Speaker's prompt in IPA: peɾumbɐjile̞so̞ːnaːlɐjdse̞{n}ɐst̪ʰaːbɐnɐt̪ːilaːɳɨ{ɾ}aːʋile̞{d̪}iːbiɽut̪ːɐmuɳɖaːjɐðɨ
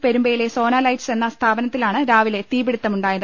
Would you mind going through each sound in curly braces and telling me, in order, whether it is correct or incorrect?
incorrect, correct, incorrect

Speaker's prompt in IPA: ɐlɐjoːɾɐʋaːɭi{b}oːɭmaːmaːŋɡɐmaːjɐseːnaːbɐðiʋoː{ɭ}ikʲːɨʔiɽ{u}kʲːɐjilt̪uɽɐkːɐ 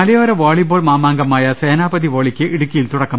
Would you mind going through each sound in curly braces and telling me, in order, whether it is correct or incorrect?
correct, correct, correct

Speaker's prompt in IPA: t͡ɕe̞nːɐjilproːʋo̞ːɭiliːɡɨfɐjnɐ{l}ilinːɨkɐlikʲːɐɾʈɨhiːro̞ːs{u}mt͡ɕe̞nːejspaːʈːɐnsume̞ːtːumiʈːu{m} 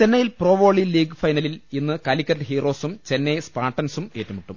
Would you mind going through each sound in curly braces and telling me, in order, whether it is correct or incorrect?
correct, correct, correct

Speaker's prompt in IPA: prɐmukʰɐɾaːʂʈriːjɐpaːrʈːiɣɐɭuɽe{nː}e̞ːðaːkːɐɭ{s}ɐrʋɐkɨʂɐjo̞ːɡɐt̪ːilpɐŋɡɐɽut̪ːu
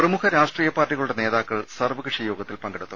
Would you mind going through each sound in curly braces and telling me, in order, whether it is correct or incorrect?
incorrect, correct

